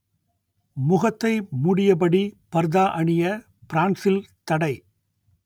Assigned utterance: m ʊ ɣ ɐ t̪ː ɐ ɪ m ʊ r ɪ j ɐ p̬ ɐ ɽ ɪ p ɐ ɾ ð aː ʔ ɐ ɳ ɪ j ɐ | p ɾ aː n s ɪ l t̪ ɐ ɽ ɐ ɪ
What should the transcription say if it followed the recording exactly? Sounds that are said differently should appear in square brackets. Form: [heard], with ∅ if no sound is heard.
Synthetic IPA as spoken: m ʊ ɣ ɐ t̪ː ɐ ɪ m ʊ [ɽ] ɪ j ɐ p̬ ɐ ɽ [i] p ɐ ɾ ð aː ʔ ɐ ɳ ɪ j ɐ | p ɾ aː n s ɪ l t̪ ɐ ɽ ɐ ɪ